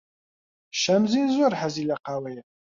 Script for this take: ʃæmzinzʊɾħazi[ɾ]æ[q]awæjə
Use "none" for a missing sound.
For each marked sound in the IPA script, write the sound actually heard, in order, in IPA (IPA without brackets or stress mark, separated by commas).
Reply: l, q